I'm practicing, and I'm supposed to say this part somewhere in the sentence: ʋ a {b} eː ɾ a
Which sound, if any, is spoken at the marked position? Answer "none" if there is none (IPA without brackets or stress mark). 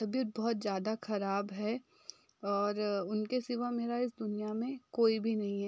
m